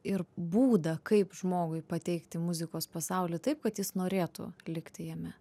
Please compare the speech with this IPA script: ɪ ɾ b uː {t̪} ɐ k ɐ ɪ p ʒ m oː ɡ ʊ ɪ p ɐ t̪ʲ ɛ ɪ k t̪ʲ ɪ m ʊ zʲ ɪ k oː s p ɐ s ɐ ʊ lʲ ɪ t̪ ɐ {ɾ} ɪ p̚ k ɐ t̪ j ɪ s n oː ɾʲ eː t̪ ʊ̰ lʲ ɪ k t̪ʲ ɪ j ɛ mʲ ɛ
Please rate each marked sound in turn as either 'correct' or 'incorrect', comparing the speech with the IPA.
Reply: incorrect: d̪, incorrect: none

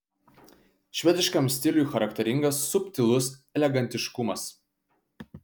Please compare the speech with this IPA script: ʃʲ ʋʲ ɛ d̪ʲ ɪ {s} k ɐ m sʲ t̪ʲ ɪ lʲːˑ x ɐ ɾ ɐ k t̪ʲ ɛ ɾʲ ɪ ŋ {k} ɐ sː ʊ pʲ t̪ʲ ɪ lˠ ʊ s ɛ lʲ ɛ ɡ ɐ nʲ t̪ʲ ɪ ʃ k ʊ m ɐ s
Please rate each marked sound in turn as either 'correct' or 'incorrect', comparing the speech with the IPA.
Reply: incorrect: ʃ, incorrect: ɡ

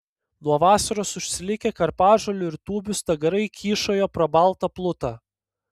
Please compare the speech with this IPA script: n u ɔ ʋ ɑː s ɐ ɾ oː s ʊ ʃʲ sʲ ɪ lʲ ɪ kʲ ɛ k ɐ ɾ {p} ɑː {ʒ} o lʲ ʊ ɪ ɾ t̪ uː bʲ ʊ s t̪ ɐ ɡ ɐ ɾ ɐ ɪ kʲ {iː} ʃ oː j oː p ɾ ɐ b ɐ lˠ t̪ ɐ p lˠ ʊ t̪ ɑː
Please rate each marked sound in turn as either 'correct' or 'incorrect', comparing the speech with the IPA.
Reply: correct, correct, correct

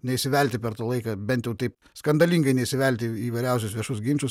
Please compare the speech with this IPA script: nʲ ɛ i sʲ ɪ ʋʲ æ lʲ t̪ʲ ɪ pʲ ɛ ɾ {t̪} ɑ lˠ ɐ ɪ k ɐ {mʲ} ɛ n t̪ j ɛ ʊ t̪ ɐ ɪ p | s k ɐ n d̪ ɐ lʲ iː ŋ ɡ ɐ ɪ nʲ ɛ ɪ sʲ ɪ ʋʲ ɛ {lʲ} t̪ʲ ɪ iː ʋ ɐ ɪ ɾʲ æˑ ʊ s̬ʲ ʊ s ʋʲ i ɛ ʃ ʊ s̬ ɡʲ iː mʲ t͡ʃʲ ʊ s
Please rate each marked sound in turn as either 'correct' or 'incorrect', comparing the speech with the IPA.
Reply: correct, incorrect: bʲ, correct

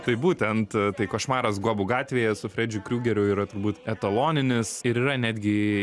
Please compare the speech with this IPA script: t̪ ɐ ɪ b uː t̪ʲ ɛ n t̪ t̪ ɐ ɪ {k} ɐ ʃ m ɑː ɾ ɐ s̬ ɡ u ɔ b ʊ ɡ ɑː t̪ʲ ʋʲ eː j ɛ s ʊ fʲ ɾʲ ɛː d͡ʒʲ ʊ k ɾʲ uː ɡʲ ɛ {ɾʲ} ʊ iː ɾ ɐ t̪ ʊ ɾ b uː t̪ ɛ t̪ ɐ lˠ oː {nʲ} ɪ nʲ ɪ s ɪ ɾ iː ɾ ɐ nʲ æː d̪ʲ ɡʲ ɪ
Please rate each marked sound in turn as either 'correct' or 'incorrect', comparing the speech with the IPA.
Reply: correct, correct, correct

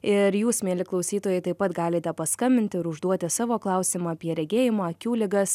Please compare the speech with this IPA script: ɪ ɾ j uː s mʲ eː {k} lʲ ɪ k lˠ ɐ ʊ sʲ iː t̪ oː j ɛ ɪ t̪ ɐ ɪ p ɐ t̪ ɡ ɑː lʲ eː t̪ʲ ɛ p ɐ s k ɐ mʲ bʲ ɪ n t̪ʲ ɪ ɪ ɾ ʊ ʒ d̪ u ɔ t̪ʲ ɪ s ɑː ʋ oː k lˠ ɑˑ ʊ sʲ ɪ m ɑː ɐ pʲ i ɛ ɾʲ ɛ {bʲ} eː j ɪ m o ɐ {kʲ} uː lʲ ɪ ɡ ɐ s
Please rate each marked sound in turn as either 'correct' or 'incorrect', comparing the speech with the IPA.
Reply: incorrect: none, incorrect: ɡʲ, correct

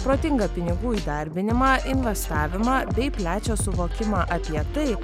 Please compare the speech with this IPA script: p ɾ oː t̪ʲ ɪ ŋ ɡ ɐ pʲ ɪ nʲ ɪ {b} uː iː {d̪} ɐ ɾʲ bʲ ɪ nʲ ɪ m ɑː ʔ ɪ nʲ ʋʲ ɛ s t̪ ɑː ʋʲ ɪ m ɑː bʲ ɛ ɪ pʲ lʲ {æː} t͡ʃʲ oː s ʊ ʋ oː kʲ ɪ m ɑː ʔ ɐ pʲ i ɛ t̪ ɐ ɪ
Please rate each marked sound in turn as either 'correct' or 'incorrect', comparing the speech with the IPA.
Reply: incorrect: ɡ, correct, correct

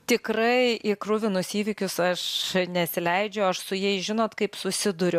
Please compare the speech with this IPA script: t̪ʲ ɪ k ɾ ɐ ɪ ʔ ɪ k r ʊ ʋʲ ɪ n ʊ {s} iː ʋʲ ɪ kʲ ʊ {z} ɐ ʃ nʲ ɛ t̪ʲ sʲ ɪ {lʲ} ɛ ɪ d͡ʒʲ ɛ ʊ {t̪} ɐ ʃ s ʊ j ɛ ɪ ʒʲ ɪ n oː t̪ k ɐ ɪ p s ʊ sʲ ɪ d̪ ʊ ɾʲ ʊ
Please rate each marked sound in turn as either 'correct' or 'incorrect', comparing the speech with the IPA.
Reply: correct, incorrect: s, correct, incorrect: none

